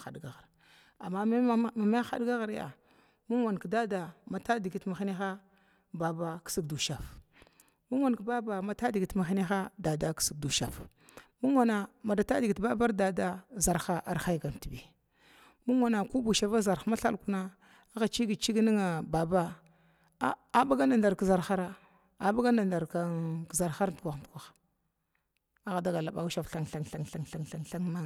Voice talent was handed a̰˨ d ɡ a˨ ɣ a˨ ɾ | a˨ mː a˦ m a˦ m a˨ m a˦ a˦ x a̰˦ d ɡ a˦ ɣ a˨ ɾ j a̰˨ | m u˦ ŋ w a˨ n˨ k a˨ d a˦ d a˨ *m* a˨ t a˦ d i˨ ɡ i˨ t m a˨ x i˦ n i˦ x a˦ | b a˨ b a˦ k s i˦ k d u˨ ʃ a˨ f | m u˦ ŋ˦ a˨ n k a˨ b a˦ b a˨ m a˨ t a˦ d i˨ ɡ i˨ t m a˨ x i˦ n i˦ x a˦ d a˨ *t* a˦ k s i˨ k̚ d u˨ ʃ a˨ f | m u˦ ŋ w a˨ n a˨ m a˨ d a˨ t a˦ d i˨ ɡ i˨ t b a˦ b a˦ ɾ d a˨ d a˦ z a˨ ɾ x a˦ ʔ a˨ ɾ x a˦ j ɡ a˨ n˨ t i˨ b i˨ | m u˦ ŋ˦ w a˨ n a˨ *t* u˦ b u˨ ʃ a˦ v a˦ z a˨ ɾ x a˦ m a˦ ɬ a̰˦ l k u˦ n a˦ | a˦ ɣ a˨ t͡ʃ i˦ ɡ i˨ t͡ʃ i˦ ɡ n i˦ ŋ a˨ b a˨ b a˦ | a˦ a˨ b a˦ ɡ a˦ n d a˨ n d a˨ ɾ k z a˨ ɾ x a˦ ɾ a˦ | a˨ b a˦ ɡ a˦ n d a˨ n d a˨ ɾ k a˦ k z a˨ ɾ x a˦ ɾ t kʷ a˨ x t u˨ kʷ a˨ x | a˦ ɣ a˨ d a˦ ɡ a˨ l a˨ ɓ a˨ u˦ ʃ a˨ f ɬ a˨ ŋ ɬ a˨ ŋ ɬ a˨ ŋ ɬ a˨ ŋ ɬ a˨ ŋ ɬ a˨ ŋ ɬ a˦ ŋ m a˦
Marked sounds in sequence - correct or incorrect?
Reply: correct, incorrect, incorrect

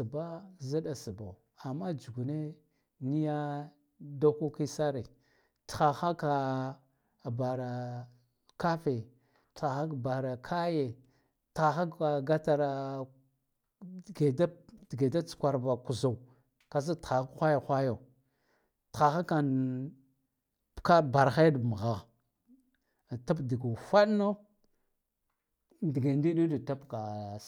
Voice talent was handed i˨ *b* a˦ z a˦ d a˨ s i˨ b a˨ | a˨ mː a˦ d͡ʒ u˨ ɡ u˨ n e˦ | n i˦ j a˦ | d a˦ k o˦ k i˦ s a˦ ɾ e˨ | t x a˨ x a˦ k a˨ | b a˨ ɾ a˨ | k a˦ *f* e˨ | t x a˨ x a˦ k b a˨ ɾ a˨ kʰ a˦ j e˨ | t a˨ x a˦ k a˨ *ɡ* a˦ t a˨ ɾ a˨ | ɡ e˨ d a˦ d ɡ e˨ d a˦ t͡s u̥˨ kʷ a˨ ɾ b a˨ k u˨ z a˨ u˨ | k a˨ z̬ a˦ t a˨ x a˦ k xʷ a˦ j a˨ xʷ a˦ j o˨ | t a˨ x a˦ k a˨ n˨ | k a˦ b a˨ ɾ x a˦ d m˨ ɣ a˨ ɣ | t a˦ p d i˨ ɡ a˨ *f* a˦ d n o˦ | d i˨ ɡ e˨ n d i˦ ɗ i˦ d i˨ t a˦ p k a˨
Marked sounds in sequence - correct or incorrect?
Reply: correct, correct, correct, correct

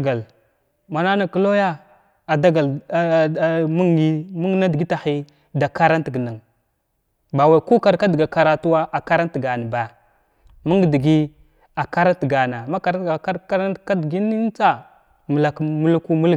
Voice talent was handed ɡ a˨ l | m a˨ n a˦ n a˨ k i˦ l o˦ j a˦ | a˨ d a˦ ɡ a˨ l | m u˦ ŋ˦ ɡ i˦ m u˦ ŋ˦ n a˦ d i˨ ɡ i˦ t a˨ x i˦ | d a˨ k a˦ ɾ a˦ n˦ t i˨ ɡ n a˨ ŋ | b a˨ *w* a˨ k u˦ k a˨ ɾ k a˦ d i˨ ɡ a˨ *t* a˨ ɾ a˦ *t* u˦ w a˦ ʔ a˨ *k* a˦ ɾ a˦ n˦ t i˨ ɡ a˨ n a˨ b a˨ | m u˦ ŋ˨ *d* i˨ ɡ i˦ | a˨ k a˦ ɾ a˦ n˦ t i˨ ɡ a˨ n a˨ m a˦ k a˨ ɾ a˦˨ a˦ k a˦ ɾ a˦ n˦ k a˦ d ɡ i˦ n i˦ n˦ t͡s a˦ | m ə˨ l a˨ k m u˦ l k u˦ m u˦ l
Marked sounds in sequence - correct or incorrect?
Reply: correct, incorrect, correct, correct, correct

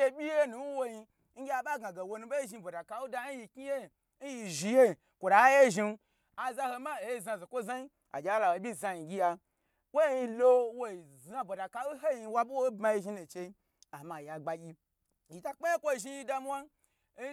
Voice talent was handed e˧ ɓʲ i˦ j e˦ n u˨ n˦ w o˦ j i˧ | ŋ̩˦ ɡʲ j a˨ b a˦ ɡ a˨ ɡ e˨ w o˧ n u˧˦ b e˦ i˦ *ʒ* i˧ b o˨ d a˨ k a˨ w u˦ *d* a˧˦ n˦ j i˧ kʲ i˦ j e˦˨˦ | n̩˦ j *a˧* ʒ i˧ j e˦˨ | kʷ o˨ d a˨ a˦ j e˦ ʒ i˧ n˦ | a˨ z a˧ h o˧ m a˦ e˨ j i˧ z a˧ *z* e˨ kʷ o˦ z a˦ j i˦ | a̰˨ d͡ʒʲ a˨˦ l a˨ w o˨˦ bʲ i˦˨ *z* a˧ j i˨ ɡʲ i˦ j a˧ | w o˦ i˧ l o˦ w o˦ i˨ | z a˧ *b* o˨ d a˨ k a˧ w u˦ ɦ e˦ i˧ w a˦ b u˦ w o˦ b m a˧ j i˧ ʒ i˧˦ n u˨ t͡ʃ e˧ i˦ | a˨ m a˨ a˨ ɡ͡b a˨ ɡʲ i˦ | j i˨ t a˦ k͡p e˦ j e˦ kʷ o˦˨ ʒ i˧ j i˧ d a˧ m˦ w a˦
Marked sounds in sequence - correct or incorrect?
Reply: correct, correct, incorrect, correct, correct, correct

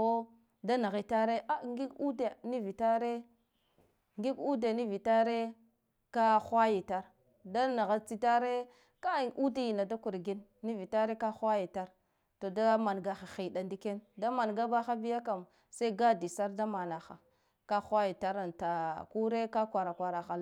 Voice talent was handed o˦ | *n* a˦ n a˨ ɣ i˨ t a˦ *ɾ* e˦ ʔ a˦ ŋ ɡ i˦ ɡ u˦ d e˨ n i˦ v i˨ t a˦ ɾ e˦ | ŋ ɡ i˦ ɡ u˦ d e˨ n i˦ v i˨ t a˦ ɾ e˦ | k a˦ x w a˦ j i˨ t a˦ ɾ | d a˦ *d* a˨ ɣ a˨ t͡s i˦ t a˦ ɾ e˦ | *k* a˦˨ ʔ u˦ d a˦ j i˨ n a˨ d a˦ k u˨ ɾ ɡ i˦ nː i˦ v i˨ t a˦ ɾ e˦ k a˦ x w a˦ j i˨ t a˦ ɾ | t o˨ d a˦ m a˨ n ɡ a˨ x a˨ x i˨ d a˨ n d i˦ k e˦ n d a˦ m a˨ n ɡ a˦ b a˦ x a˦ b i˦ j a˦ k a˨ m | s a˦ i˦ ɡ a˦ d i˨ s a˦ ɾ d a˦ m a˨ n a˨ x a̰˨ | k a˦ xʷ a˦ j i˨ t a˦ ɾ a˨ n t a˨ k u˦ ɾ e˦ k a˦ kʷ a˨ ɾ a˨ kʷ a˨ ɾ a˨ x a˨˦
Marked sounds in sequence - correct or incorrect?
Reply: incorrect, correct, incorrect, correct

